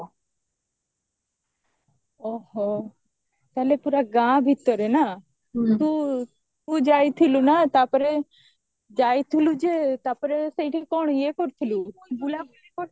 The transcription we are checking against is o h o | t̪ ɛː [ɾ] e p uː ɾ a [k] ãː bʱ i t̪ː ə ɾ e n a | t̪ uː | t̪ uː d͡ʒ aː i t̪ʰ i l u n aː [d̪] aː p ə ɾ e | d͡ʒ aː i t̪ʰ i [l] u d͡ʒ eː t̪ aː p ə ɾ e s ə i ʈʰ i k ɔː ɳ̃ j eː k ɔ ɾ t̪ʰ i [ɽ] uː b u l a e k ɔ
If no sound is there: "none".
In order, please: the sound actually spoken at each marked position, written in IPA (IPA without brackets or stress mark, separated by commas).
l, ɡ, t̪, l, l